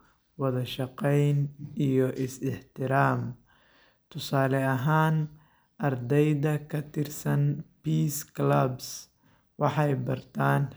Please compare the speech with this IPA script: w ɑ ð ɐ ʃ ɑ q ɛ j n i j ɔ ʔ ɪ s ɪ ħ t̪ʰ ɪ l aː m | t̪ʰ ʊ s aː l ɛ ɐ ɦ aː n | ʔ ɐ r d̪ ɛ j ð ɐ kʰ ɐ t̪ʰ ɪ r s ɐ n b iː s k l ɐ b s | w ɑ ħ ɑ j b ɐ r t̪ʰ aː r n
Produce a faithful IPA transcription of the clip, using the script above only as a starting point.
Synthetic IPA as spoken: w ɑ ð ɐ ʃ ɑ q ɛ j n i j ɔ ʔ ɪ s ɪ ħ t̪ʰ ɪ ɾ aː m | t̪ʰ ʊ s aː l ɛ ɐ ɦ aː n | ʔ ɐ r d̪ ɛ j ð ɐ kʰ ɐ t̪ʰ ɪ r s ɐ n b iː s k l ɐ b s | w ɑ ħ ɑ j b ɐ r t̪ʰ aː n